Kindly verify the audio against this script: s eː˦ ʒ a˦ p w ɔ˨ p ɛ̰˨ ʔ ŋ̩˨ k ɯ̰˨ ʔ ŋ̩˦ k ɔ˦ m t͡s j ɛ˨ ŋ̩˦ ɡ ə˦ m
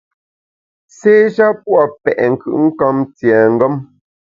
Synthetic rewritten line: s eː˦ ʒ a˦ p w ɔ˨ p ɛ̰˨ ʔ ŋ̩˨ k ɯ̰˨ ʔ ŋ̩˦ k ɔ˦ m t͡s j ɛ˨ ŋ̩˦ ɡ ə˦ m